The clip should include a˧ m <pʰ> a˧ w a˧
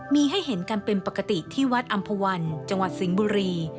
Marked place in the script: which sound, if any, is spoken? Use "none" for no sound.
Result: pʰ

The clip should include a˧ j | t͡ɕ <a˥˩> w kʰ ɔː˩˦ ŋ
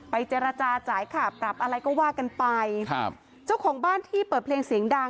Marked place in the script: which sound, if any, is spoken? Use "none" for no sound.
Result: a˥˩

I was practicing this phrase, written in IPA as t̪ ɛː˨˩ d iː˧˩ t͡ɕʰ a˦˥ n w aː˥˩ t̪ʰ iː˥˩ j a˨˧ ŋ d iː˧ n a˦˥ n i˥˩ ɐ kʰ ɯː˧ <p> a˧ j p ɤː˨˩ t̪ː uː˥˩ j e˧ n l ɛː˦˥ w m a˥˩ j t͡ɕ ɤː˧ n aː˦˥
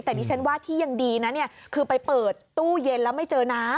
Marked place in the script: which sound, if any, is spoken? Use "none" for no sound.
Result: p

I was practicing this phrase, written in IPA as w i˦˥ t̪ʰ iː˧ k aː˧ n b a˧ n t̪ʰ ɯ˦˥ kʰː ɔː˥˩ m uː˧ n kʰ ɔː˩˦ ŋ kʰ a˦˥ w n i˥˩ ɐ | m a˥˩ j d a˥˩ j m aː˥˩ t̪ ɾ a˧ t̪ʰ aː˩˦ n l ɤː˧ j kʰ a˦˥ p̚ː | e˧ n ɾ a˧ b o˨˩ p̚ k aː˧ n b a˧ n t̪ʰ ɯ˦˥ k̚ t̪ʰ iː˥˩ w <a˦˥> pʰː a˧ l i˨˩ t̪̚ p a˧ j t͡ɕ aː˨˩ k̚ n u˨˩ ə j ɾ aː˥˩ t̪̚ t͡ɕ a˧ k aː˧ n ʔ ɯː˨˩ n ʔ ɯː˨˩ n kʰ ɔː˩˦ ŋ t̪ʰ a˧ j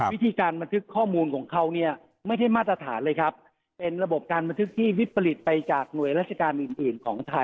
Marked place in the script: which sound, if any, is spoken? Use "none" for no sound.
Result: i˦˥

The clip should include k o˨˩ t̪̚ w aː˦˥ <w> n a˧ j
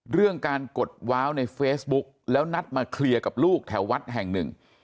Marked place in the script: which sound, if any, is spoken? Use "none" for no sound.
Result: w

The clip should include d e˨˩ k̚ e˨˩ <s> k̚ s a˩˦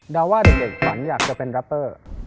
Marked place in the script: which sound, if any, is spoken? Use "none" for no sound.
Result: none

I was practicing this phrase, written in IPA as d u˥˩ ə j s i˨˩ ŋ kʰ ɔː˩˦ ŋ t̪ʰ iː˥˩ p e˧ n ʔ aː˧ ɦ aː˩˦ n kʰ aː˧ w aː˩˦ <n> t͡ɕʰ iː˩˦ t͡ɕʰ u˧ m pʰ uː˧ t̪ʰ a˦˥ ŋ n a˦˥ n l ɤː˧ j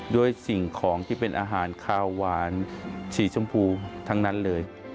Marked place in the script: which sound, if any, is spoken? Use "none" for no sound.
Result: n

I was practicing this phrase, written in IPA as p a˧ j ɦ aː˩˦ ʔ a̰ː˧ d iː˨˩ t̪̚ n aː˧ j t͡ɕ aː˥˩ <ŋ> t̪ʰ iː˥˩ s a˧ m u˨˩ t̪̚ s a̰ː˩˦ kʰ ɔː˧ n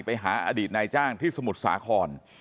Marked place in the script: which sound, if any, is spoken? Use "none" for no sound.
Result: ŋ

